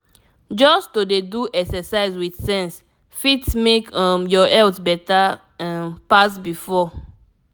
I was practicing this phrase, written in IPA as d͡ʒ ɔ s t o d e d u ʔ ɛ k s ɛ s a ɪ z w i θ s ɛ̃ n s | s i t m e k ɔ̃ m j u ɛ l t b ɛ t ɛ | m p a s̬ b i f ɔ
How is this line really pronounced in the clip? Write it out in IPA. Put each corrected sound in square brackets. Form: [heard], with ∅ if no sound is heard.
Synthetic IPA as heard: d͡ʒ ɔ s t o d e d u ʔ ɛ k s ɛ s a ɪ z w i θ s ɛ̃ n s | [f] i t m e k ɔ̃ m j [ɔ] ɛ l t b ɛ t [a] | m p a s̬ b i f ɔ